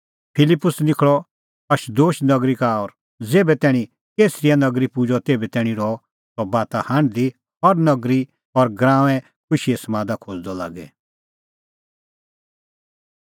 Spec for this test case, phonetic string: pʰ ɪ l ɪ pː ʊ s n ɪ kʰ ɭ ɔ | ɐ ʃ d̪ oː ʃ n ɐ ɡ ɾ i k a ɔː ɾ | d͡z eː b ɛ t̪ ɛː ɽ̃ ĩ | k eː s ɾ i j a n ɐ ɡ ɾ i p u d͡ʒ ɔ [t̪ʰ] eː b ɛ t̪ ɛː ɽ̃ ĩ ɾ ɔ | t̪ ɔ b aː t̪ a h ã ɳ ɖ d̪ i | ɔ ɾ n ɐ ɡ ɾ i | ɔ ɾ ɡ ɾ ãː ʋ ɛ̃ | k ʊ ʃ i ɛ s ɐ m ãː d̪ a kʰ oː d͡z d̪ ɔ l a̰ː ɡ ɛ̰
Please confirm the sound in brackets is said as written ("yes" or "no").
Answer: no